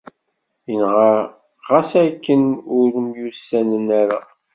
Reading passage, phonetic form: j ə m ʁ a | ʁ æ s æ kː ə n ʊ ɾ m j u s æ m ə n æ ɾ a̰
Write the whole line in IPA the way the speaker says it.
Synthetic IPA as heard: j ə n ʁ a | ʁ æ s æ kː ə n ʊ ɾ m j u s æ n ə n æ ɾ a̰